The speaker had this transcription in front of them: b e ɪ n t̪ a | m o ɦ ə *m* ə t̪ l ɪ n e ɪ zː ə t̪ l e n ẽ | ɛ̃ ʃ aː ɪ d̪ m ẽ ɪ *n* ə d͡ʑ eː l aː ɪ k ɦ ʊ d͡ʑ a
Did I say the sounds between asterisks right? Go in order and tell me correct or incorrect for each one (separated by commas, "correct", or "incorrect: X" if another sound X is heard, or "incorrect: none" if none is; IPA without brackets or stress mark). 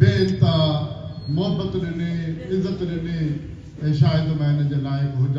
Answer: incorrect: b, correct